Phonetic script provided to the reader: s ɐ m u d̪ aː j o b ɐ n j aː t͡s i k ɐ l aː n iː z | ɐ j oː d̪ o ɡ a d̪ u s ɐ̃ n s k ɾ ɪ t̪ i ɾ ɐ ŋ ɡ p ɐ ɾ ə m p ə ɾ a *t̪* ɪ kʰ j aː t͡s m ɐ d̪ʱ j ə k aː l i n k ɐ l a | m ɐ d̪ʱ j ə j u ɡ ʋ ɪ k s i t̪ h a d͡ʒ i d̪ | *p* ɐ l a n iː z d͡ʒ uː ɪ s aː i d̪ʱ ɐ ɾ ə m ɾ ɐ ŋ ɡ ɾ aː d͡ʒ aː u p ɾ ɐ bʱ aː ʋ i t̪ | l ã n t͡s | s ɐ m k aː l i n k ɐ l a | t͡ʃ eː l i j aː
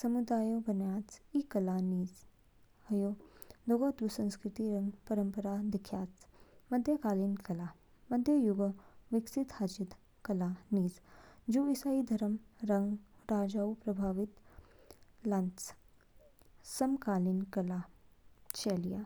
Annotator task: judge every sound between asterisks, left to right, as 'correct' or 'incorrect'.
incorrect, incorrect

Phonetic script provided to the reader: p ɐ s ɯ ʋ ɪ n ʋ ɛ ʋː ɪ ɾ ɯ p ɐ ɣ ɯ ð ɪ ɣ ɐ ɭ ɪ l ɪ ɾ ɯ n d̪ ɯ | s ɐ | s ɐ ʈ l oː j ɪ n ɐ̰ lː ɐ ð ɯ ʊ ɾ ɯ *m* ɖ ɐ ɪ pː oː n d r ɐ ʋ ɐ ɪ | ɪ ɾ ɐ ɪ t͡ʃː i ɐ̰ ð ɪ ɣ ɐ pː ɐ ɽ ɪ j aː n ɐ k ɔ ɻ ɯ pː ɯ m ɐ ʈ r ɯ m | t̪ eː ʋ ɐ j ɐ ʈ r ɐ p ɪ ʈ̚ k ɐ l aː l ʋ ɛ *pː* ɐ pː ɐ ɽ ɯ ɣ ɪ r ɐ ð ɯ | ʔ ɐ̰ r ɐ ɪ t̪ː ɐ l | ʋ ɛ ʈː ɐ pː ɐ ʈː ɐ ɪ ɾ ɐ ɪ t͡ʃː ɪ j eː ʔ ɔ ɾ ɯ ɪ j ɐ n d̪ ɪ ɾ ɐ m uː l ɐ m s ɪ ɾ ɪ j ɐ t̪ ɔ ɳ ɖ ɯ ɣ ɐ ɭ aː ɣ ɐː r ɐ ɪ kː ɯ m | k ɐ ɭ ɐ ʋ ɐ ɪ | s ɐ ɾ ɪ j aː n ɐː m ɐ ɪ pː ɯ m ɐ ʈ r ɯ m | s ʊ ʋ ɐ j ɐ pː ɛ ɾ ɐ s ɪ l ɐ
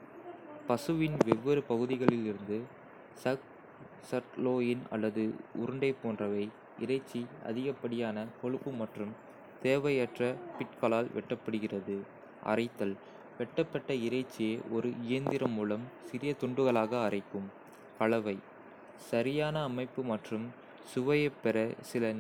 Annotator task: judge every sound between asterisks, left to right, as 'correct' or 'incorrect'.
incorrect, incorrect

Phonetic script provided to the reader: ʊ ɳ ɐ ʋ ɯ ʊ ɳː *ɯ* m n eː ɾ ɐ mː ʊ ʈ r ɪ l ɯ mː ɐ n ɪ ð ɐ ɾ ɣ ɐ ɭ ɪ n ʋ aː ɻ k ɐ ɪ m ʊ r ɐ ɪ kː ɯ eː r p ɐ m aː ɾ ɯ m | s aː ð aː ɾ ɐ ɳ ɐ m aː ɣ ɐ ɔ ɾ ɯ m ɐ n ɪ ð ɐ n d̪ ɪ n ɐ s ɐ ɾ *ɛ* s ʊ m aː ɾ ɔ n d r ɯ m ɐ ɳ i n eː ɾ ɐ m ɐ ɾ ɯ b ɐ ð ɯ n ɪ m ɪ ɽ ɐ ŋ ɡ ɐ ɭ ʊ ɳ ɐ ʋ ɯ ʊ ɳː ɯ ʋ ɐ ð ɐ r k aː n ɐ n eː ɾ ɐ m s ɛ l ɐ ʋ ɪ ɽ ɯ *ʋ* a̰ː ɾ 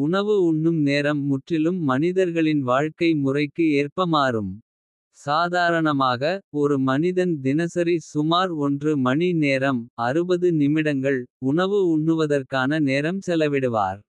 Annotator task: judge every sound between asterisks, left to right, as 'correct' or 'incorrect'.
correct, incorrect, correct

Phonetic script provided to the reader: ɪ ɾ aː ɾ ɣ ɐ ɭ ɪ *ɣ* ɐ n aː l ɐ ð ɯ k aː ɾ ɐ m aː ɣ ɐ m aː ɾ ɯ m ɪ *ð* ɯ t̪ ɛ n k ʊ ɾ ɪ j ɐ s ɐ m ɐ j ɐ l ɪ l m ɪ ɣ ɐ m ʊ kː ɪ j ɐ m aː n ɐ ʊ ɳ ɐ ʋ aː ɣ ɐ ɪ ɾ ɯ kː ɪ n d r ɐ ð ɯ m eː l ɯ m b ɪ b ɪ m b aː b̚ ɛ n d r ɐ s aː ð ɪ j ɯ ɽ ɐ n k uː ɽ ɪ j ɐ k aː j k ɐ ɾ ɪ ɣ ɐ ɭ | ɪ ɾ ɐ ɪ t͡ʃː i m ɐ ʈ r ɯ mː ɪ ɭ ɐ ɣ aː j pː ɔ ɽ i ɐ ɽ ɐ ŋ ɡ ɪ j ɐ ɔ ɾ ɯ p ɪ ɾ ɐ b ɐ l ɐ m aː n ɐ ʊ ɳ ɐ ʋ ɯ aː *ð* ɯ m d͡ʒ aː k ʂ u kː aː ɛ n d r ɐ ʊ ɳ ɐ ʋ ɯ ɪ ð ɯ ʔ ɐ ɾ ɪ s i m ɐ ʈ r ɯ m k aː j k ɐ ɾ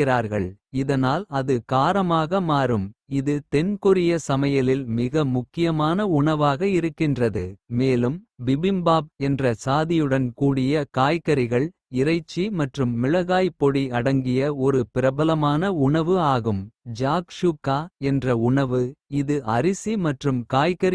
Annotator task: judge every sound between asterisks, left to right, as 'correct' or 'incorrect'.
incorrect, correct, incorrect

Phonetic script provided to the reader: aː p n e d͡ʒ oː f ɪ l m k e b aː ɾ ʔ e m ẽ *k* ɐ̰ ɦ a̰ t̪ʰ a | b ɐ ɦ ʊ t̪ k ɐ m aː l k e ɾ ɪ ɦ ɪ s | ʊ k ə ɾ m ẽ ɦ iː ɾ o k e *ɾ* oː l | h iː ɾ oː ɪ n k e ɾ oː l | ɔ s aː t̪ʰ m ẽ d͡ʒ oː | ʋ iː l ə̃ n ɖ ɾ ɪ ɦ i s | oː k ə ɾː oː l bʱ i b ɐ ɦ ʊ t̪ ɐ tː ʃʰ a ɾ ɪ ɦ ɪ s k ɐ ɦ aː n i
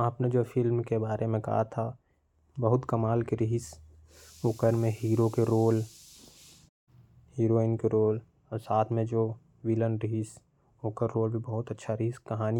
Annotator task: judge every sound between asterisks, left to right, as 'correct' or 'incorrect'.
correct, correct

